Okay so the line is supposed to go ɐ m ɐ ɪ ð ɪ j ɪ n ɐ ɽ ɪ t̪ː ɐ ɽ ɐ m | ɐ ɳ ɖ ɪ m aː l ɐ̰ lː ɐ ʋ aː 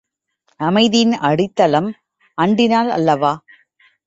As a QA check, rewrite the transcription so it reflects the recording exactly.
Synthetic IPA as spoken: ɐ m ɐ ɪ ð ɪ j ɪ n ɐ ɽ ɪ t̪ː ɐ l ɐ m | ɐ ɳ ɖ ɪ n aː l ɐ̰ lː ɐ ʋ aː